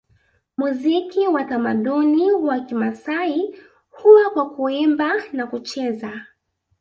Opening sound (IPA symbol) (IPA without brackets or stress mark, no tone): m